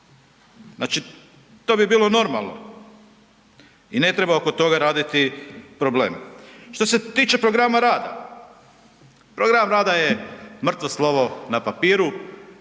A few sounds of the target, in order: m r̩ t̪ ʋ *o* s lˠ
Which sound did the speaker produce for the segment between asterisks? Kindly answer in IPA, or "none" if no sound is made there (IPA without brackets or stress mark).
o